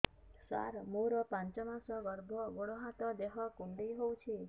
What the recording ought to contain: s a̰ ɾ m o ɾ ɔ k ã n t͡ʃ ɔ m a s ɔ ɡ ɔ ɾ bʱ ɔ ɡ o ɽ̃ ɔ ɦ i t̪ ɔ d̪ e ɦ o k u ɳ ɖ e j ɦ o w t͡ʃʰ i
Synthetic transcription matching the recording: s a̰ ɾ m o ɾ ɔ p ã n t͡ʃ ɔ m a s ɔ ɡ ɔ ɾ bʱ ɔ ɡ o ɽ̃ ɔ ɦ a t̪ ɔ d̪ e ɦ ɔ k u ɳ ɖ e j ɦ o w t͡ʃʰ i